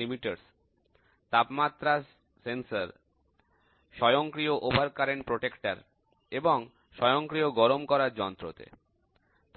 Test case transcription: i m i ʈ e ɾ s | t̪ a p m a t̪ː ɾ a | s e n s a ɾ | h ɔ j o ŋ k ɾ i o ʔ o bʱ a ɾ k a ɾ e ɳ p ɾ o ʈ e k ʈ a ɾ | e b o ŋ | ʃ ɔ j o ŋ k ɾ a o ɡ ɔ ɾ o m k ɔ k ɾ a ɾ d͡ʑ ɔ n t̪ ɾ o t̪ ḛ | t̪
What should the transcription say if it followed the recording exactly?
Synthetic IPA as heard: i m i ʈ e ɾ s | t̪ a p m a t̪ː ɾ a | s e n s a ɾ | ʃ ɔ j o ŋ k ɾ i o ʔ o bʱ a ɾ k a ɾ e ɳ p ɾ o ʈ e k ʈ a ɾ | e b o ŋ | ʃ ɔ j o ŋ k ɾ i o ɡ ɔ ɾ o m k ɔ ɾ a ɾ d͡ʑ ɔ n t̪ ɾ o t̪ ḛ | t̪